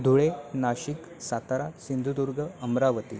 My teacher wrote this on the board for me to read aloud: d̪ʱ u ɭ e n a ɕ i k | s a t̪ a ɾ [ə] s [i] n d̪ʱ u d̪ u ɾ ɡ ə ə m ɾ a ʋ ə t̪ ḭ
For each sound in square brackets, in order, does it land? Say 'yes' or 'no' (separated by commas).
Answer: no, yes